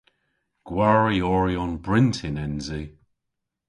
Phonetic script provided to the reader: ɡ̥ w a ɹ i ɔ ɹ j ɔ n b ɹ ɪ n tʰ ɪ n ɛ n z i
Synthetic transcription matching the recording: ɡ̥ w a ɹ i ɔ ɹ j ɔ n b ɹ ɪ n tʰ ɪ n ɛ n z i

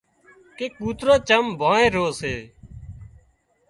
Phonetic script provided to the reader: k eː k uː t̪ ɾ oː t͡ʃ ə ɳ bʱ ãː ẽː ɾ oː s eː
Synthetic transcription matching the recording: k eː k uː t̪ ɾ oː t͡ʃ ə m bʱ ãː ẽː ɾ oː s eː

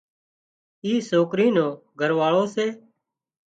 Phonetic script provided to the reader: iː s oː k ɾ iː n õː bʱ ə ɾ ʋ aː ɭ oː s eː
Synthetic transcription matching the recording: iː s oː k ɾ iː n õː ɡʱ ə ɾ ʋ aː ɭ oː s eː

